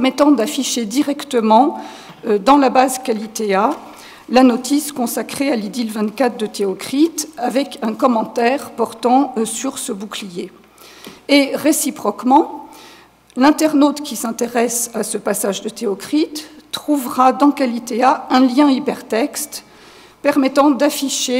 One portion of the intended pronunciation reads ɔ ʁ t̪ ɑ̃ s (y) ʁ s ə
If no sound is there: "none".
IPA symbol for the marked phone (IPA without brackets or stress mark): y